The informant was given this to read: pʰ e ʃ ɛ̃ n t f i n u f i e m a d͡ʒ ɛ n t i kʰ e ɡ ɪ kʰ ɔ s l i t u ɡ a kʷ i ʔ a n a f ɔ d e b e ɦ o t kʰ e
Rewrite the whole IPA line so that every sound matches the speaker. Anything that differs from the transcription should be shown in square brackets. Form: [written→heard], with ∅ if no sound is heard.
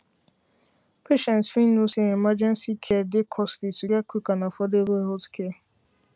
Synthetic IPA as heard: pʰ e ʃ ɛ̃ n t f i n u [f→s] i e m a d͡ʒ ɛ n [t→s] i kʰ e [ɡ→d] ɪ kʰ ɔ s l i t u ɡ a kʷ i [ʔ→k] a n a f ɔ d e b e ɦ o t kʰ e